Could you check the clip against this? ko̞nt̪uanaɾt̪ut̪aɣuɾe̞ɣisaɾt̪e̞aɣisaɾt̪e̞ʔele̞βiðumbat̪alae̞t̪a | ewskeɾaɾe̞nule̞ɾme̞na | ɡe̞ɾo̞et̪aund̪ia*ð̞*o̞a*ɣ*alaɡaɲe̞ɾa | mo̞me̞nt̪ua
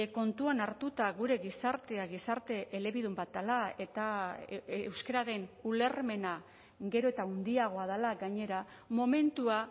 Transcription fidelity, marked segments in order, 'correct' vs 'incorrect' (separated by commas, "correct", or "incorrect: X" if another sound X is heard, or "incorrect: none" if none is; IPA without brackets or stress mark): incorrect: ɣ̞, incorrect: ð